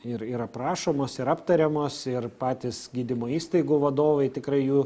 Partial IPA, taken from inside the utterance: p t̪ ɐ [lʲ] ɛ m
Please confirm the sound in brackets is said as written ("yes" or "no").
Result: no